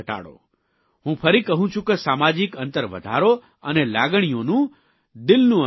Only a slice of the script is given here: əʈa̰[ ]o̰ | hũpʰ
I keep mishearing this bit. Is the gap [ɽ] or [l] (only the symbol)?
ɽ